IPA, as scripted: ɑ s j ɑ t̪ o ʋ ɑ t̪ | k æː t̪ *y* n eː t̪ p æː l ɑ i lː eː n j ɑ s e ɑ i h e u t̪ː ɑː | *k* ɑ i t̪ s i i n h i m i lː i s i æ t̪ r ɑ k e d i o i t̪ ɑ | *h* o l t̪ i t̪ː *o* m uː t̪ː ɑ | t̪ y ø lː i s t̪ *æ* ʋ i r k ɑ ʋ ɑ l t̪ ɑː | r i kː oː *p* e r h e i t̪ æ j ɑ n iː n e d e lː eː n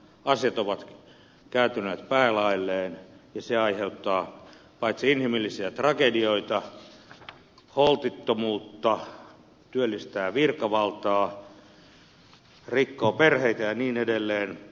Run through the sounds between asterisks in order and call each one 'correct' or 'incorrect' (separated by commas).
correct, incorrect, correct, correct, incorrect, correct